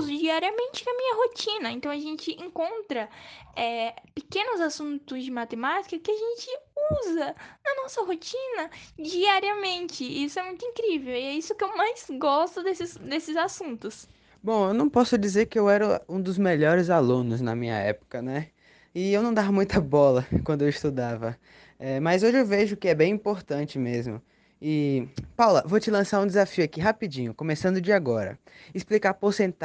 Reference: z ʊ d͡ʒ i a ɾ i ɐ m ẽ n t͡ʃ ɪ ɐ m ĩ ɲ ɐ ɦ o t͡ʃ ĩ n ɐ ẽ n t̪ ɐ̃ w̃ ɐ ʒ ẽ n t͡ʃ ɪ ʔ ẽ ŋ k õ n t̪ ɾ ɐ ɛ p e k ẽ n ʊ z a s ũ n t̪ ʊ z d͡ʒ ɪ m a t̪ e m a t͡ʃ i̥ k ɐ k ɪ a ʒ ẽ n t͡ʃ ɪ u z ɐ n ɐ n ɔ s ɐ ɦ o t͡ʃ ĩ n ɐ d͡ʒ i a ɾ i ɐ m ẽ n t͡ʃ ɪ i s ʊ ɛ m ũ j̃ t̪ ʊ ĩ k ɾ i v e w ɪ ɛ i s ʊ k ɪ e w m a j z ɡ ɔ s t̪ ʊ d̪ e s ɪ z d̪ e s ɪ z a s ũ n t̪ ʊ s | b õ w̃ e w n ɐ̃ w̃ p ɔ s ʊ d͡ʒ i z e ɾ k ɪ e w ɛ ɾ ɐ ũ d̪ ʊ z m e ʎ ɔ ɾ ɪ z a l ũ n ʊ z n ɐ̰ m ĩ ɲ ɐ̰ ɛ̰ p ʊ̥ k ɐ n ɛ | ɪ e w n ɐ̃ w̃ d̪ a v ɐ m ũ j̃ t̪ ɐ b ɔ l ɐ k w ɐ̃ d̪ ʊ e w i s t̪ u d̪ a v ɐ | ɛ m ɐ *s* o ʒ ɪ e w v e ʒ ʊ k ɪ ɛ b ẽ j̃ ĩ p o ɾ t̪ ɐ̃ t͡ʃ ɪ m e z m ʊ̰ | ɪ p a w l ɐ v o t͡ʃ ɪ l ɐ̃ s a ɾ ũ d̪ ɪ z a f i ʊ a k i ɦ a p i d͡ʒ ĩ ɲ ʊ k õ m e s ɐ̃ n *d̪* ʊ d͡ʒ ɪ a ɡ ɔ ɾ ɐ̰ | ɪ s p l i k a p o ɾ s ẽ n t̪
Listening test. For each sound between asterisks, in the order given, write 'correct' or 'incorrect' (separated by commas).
incorrect, correct